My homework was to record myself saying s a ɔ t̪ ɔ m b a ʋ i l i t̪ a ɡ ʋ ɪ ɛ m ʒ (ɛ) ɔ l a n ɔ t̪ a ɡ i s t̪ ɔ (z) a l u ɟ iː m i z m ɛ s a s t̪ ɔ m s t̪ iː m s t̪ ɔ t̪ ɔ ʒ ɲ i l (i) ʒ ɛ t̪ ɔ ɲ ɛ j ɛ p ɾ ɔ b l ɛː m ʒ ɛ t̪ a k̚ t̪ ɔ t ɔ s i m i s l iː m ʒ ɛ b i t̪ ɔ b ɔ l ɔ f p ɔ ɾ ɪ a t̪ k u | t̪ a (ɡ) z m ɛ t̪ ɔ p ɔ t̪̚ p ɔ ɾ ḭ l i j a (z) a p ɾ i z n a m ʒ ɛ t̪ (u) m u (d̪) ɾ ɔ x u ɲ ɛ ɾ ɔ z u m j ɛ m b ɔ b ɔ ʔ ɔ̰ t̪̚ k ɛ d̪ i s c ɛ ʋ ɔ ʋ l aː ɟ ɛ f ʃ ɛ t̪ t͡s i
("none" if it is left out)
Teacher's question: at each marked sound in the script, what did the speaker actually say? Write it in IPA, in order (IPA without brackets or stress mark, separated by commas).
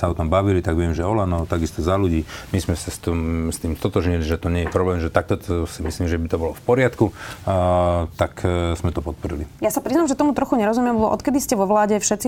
ɛ, z, i, k, s, ɔ, t̪